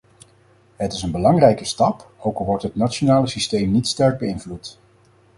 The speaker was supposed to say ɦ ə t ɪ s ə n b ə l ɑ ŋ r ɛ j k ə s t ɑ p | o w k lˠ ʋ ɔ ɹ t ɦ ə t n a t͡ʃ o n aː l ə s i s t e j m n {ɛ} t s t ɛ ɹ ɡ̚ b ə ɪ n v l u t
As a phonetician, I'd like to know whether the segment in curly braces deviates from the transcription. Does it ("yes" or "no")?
yes